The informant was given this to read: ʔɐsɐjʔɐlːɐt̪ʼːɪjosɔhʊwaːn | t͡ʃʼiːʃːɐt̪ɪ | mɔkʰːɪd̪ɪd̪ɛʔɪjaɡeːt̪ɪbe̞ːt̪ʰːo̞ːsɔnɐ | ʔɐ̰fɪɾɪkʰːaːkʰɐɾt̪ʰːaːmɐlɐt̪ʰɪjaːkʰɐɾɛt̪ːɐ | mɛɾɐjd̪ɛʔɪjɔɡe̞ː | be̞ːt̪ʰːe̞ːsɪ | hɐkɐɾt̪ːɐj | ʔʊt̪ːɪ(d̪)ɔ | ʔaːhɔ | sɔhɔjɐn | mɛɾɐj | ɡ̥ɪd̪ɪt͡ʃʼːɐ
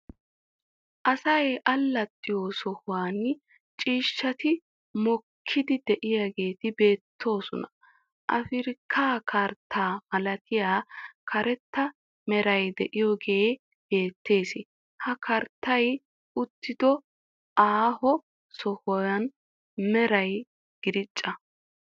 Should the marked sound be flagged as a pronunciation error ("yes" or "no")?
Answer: no